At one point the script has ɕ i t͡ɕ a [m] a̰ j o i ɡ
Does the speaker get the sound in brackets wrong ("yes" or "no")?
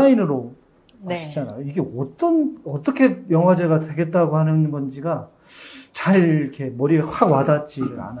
yes